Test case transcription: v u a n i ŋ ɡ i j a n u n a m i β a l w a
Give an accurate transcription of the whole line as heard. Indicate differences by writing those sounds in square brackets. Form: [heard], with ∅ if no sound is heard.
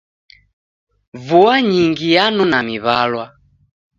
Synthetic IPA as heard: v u a [ɲ] i ŋ ɡ i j a n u n a m i β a l w a